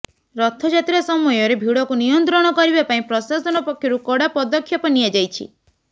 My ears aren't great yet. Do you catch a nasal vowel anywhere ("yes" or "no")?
yes